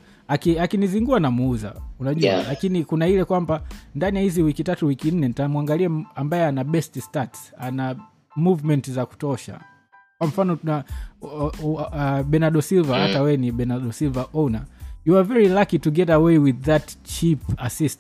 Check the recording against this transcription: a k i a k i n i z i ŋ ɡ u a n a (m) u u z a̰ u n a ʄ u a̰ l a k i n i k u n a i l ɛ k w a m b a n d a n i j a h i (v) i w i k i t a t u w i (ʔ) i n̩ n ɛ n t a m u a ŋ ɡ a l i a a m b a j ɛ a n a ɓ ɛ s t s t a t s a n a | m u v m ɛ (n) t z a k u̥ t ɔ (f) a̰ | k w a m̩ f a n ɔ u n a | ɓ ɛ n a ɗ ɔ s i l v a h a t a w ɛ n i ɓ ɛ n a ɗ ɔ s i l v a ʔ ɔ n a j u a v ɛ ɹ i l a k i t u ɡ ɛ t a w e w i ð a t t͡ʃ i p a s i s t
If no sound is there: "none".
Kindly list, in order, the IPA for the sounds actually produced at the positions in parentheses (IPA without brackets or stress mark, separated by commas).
m, z, k, n, ʃ